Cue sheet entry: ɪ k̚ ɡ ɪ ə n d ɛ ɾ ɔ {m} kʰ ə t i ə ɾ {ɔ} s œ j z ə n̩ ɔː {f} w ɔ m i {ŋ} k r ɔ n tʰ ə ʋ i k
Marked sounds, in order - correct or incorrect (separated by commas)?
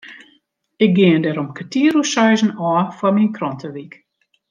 correct, incorrect, correct, incorrect